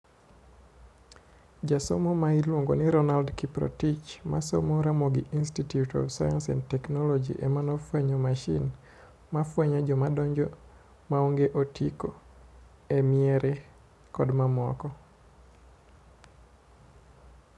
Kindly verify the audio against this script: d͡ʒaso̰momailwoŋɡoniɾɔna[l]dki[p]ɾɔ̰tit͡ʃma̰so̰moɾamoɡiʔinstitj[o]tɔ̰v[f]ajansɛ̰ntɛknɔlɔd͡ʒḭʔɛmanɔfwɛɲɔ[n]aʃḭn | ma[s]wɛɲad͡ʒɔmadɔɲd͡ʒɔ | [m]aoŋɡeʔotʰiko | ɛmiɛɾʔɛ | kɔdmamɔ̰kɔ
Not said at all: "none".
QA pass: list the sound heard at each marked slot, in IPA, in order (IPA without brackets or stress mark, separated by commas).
l, p, u, s, m, f, m